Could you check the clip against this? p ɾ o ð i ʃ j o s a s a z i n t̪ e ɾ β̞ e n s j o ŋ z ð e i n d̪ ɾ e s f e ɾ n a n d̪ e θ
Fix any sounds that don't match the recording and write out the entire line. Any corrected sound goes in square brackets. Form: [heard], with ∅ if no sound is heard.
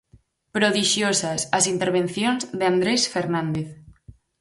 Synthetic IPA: p ɾ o ð i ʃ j o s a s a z i n t̪ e ɾ β̞ e n [θ] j o [n] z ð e [a] n d̪ ɾ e s f e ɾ n a n d̪ e θ